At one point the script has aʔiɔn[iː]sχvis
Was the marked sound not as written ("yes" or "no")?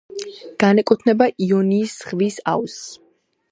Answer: no